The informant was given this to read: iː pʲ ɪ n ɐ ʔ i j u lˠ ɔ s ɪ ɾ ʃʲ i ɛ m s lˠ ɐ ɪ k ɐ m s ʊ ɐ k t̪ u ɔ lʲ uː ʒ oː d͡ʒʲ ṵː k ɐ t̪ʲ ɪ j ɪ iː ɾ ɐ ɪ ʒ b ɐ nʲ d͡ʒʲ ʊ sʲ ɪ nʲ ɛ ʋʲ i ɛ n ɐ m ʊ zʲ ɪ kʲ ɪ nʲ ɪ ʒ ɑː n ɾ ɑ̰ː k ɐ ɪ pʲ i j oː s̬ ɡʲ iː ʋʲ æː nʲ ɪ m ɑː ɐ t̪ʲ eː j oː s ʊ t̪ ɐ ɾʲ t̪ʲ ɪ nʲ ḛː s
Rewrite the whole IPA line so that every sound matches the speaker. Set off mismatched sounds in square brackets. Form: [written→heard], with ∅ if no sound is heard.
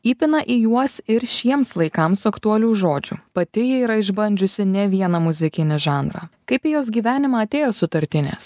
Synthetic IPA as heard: iː pʲ ɪ n ɐ ʔ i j u [lˠ→∅] ɔ s ɪ ɾ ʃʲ i ɛ m s lˠ ɐ ɪ k ɐ m s ʊ ɐ k t̪ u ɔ lʲ uː ʒ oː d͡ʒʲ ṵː [k→p] ɐ t̪ʲ ɪ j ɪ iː ɾ ɐ ɪ ʒ b ɐ nʲ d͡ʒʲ ʊ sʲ ɪ nʲ ɛ ʋʲ i ɛ n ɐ m ʊ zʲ ɪ kʲ ɪ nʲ ɪ ʒ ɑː n ɾ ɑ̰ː k ɐ ɪ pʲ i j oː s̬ ɡʲ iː ʋʲ æː nʲ ɪ m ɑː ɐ t̪ʲ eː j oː s ʊ t̪ ɐ ɾʲ t̪ʲ ɪ nʲ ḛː s